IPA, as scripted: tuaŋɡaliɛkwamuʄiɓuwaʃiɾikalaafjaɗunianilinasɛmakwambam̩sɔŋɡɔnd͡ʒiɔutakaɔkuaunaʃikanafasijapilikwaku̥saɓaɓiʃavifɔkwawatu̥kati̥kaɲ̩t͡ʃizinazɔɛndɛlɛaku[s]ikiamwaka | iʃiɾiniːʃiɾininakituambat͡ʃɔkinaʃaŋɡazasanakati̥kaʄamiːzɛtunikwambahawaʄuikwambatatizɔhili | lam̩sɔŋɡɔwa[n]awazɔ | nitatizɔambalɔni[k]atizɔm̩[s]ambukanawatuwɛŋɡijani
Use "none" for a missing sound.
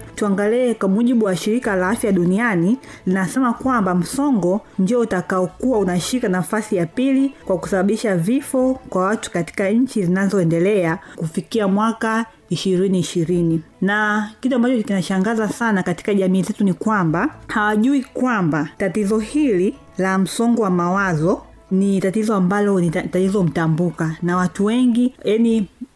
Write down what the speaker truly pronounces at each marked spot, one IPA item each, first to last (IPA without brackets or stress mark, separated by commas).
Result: f, m, t, t